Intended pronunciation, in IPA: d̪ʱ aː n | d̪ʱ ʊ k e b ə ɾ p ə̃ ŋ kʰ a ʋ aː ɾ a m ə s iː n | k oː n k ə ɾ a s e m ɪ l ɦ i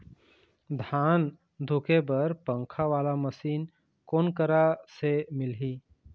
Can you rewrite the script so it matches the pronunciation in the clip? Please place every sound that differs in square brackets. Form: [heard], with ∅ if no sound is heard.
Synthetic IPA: d̪ʱ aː n | d̪ʱ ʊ k e b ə ɾ p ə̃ ŋ kʰ a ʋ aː [l] a m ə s iː n | k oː n k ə ɾ a s e m ɪ l ɦ i